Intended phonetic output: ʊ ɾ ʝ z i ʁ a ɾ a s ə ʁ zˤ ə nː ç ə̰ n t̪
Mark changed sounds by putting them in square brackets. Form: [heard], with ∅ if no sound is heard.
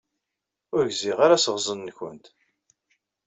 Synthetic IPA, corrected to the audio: ʊ ɾ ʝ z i ʁ a ɾ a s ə ʁ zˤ ə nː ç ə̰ n t̪